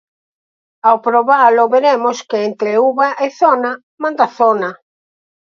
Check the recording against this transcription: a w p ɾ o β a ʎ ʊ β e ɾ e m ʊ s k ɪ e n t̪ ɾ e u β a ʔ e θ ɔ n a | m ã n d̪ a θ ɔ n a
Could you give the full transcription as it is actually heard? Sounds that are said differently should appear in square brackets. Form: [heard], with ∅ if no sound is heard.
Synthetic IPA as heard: a w p ɾ o β a [l] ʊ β e ɾ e m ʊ s k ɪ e n t̪ ɾ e u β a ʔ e θ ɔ n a | m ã n d̪ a θ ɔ n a